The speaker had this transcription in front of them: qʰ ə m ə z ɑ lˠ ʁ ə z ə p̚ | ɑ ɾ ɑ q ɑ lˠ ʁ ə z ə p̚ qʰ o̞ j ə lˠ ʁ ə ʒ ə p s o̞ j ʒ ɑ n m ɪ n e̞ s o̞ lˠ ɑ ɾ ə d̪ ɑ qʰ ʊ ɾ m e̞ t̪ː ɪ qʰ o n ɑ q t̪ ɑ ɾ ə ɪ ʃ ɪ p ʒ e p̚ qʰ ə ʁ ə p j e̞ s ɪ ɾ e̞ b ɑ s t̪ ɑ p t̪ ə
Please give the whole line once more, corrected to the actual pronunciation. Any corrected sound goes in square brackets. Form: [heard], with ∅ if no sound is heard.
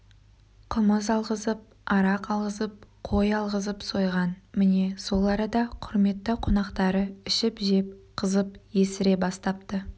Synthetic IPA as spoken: qʰ ə m ə z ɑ lˠ ʁ ə z ə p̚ | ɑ ɾ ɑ q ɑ lˠ ʁ ə z ə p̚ qʰ o̞ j [ɑ] lˠ ʁ ə [z] ə p s o̞ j [ʁ] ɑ n m ɪ n e̞ s o̞ lˠ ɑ ɾ ə d̪ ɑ qʰ ʊ ɾ m e̞ t̪ː ɪ qʰ o n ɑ q t̪ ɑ ɾ ə ɪ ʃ ɪ p ʒ e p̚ qʰ ə [z] ə p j e̞ s ɪ ɾ e̞ b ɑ s t̪ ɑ p t̪ ə